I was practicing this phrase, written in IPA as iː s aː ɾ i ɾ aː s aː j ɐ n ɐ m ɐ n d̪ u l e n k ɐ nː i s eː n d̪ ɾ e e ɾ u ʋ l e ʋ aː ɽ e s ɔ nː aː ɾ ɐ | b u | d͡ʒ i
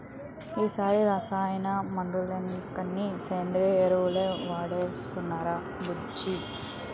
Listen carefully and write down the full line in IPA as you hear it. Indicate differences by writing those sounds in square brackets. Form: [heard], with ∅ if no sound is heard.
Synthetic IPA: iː s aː ɾ i ɾ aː s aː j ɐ n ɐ m ɐ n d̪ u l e n k ɐ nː i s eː n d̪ ɾ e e ɾ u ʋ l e ʋ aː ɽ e s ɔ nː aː ɾ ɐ | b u | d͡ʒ i